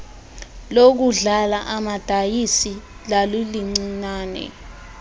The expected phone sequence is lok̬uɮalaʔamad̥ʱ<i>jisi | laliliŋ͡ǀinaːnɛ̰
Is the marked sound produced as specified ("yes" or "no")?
no